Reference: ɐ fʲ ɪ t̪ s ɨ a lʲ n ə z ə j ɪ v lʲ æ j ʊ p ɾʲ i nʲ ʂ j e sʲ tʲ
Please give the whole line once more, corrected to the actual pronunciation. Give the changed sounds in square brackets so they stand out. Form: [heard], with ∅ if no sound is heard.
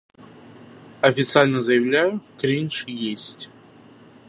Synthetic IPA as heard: ɐ fʲ ɪ t̪ s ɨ a lʲ n ə z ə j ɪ v lʲ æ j ʊ [k] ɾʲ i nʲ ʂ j e sʲ tʲ